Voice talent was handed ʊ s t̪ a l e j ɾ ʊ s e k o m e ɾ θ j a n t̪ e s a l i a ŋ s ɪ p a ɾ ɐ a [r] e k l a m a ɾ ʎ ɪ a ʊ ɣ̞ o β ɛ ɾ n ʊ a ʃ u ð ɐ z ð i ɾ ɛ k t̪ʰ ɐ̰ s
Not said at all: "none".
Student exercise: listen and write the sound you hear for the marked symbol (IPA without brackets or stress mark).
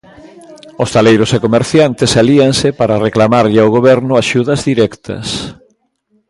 r